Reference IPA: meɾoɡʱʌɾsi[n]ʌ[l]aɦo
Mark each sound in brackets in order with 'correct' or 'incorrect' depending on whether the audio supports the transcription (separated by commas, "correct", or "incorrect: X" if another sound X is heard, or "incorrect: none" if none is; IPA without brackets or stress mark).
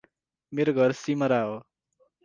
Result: incorrect: m, incorrect: ɾ